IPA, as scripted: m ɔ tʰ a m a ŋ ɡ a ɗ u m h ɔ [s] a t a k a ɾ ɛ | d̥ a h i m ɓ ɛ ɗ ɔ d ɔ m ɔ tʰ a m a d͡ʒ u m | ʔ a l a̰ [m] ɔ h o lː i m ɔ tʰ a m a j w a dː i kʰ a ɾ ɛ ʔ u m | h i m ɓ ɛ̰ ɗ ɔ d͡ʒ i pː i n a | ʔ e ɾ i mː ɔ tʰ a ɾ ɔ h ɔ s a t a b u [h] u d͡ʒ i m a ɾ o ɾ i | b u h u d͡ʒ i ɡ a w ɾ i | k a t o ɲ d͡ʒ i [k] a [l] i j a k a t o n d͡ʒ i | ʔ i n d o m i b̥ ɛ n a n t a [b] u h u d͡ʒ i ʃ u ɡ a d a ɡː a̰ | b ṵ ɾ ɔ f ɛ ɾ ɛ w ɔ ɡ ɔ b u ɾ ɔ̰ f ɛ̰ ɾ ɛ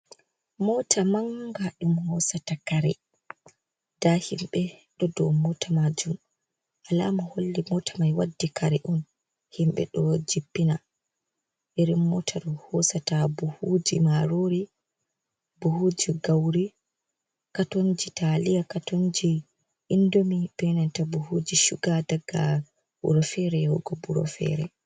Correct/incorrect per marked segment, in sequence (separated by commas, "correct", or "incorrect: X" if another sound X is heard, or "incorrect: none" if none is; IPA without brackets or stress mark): correct, correct, correct, incorrect: t, correct, correct